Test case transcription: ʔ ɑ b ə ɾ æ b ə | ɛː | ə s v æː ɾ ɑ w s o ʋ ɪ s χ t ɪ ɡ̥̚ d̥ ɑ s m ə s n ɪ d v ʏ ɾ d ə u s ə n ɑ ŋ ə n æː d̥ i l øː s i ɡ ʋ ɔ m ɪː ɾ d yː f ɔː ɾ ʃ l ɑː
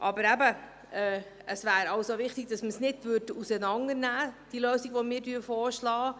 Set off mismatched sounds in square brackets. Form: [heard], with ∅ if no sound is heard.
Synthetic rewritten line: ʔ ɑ b ə ɾ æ b ə | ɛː | ə s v æː ɾ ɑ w s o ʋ ɪ [∅] χ t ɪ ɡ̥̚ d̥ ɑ s m ə s n ɪ d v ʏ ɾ d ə u s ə n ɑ ŋ ə n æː d̥ i l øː s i ɡ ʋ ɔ m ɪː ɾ d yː f ɔː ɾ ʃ l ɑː